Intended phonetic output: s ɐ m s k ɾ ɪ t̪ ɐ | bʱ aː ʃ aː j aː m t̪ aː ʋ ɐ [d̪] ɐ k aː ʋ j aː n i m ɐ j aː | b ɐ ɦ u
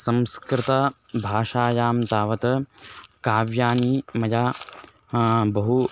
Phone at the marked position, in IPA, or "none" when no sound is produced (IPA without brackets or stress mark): t̪